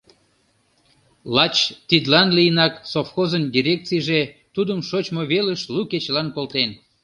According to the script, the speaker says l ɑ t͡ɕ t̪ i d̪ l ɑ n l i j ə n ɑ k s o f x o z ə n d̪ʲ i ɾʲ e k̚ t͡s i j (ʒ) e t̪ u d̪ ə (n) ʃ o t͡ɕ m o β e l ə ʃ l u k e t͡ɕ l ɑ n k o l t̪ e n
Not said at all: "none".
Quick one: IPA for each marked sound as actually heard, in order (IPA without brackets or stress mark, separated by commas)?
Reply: ʒ, m